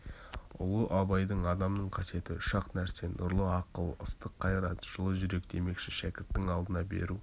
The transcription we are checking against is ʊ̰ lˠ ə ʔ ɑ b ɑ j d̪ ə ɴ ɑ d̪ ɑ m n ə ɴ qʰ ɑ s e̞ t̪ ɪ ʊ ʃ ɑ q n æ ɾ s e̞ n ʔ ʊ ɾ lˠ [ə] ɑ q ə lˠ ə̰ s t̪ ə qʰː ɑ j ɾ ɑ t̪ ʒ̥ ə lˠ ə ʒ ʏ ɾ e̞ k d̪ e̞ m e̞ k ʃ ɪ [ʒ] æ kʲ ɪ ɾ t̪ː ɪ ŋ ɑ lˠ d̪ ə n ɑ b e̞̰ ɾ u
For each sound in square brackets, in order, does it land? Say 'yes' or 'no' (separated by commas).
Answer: yes, no